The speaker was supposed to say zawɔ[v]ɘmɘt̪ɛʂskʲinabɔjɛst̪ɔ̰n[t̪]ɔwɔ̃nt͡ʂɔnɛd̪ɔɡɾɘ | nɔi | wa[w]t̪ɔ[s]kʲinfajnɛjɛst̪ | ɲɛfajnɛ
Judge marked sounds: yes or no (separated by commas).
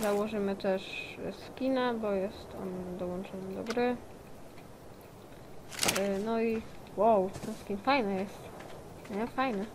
no, no, yes, yes